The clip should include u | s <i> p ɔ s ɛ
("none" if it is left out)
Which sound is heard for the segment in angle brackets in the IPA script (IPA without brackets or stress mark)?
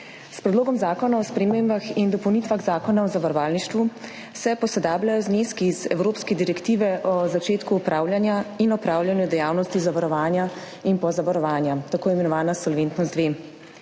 ɛ